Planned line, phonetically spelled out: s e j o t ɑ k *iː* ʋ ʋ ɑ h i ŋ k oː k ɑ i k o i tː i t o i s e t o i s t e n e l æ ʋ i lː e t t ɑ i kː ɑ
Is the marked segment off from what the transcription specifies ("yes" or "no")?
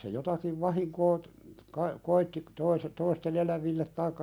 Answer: yes